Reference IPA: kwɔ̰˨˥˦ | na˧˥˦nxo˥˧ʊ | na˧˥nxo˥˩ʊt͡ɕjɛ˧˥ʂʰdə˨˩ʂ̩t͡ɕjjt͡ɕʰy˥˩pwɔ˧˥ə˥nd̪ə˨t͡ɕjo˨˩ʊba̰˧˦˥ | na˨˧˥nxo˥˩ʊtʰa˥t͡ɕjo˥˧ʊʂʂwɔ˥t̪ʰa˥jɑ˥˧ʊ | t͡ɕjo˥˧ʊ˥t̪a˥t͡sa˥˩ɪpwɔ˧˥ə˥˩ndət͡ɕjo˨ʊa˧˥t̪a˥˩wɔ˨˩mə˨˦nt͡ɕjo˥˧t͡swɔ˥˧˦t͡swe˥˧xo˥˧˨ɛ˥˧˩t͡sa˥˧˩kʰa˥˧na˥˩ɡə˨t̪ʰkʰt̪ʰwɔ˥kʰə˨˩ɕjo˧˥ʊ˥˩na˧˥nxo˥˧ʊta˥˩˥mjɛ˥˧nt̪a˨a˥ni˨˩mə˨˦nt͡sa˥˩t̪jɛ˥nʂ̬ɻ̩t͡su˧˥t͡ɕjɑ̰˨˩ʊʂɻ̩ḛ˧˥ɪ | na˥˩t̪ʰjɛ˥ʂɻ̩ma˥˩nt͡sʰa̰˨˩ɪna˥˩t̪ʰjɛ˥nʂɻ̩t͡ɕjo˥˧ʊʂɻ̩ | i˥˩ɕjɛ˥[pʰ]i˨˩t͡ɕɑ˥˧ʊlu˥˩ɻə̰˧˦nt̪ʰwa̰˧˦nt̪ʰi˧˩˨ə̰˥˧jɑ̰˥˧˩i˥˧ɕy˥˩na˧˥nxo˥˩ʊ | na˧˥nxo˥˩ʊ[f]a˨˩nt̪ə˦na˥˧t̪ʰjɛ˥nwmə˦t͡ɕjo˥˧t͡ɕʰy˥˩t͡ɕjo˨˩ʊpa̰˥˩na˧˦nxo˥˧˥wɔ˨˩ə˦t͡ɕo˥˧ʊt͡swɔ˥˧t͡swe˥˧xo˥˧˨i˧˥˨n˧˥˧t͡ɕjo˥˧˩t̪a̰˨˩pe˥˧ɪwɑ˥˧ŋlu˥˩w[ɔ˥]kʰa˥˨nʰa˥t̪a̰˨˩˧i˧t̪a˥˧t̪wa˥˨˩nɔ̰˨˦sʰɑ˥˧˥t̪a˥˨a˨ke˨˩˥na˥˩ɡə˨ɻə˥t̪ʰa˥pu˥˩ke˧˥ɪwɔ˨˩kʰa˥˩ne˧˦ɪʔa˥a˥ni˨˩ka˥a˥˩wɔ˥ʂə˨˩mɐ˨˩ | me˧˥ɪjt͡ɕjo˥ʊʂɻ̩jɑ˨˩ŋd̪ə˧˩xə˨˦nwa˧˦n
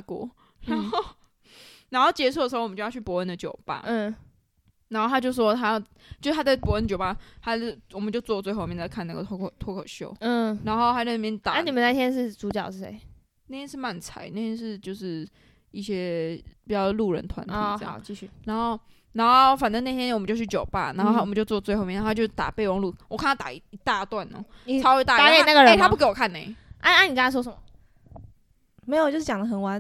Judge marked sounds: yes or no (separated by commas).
no, yes, no